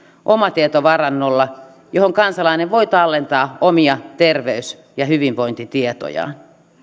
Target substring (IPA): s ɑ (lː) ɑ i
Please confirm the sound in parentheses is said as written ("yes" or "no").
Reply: no